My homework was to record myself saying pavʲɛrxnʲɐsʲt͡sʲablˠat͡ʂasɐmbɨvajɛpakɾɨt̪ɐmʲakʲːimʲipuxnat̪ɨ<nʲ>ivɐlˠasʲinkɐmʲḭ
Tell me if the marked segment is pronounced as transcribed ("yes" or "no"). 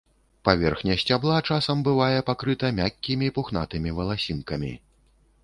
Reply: no